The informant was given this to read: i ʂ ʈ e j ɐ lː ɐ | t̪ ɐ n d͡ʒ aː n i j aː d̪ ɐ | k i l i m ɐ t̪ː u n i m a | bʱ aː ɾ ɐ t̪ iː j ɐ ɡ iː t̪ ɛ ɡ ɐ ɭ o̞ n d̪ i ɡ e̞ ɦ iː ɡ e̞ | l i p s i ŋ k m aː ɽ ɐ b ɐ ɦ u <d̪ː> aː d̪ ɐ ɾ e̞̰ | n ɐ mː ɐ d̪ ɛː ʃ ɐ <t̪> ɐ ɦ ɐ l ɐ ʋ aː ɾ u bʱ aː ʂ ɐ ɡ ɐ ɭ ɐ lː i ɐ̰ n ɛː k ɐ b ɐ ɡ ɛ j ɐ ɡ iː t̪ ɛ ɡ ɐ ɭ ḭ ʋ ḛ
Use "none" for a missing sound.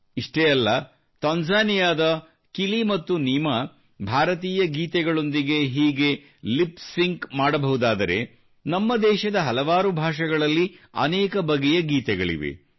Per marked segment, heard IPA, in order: d̪, d̪

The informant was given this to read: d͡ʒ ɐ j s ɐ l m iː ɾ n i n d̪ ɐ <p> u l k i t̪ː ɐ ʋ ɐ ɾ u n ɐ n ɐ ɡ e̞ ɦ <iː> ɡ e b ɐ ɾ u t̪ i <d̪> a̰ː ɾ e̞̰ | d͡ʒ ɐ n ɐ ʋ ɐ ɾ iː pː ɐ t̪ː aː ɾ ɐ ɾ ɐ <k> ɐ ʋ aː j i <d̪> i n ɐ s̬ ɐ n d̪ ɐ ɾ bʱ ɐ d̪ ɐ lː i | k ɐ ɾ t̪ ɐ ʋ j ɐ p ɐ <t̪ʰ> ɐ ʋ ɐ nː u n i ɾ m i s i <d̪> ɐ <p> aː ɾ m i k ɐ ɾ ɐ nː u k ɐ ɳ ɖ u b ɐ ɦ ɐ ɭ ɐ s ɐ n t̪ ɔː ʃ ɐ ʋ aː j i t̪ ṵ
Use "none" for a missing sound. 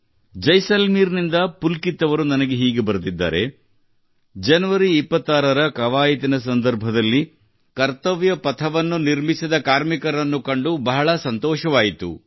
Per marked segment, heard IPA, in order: p, iː, d̪ː, k, t̪, t̪ʰ, d̪, k

